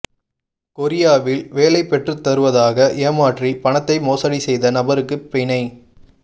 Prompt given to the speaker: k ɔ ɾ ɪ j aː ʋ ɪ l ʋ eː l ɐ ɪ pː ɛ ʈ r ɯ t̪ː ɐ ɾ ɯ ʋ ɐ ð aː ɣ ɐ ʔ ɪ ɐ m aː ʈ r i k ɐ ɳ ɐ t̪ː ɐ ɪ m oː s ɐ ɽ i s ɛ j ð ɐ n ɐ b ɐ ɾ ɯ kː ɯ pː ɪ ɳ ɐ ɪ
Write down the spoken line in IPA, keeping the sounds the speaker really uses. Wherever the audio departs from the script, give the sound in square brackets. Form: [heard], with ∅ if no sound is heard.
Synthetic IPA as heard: k ɔ ɾ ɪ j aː ʋ ɪ l ʋ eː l ɐ ɪ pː ɛ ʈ r ɯ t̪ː ɐ ɾ ɯ ʋ ɐ ð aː ɣ ɐ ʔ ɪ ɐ m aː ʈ r i [p] ɐ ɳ ɐ t̪ː ɐ ɪ m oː s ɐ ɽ i s ɛ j ð ɐ n ɐ b ɐ ɾ ɯ kː ɯ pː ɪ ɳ ɐ ɪ